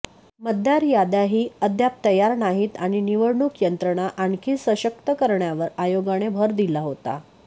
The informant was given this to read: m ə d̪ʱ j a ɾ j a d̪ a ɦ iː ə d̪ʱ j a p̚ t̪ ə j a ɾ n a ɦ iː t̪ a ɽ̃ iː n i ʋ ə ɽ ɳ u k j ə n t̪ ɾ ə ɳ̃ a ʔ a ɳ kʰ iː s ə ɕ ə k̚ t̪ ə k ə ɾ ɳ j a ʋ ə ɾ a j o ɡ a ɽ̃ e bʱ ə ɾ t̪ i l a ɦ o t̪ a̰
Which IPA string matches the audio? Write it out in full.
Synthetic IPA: m ə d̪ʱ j a ɾ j a d̪ a ɦ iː ə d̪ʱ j a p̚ t̪ ə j a ɾ n a ɦ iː t̪ a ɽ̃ i n i ʋ ə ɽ ɳ u k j ə n t̪ ɾ ə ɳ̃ a ʔ a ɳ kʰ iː s ə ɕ ə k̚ t̪ ə k ə ɾ ɳ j a ʋ ə ɾ a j o ɡ a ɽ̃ e bʱ ə ɾ d̪ i l a ɦ o t̪ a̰